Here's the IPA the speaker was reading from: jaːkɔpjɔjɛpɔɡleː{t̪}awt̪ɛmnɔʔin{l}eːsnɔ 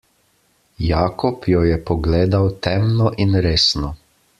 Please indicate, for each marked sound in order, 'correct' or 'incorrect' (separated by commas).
incorrect, incorrect